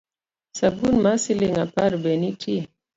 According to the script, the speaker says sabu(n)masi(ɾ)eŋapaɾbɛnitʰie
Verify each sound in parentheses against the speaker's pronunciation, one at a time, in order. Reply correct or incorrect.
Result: correct, incorrect

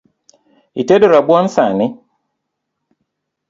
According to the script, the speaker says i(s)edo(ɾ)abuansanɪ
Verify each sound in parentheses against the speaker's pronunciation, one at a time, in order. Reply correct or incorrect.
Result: incorrect, correct

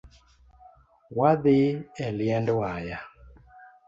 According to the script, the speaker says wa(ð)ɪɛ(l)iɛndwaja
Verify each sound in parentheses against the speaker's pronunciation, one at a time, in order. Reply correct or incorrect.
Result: correct, correct

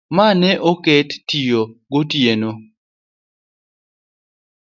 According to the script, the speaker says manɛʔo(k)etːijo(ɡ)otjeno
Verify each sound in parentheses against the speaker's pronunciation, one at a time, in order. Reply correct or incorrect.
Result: correct, correct

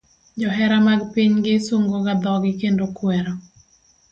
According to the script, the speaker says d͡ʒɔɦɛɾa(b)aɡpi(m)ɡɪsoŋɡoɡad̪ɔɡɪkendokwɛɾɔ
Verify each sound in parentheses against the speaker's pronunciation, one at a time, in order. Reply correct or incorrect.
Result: incorrect, incorrect

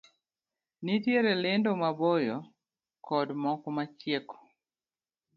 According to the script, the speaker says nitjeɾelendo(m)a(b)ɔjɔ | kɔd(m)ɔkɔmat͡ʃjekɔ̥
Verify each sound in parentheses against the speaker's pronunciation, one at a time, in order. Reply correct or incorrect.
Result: correct, correct, correct

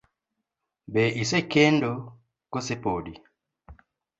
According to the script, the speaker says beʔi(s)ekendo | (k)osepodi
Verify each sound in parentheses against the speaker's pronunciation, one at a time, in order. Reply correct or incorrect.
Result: correct, correct

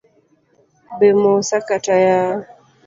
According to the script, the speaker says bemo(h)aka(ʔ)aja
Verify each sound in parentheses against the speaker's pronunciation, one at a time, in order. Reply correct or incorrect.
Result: incorrect, incorrect

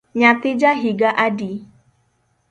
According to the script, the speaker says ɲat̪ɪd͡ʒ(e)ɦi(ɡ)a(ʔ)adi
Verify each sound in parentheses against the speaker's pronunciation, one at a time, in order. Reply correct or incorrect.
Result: incorrect, correct, correct

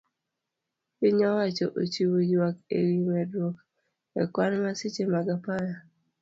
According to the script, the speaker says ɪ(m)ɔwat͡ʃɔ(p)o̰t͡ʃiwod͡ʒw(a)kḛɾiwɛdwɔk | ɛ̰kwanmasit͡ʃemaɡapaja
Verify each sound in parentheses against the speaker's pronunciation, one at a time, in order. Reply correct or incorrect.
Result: incorrect, incorrect, correct

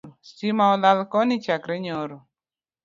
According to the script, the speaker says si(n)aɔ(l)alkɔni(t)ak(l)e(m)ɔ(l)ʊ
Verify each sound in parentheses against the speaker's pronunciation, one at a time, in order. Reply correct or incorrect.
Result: incorrect, correct, incorrect, incorrect, incorrect, incorrect

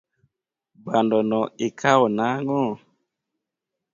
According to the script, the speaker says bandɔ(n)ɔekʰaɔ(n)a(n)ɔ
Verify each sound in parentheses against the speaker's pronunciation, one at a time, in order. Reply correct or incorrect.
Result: correct, correct, incorrect

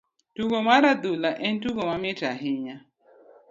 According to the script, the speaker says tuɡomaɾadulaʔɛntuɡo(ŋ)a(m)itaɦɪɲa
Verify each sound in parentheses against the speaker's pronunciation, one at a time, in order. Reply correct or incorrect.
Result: incorrect, correct

